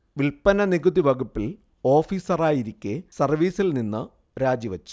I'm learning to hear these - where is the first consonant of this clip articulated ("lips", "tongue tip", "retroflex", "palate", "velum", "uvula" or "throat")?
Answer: lips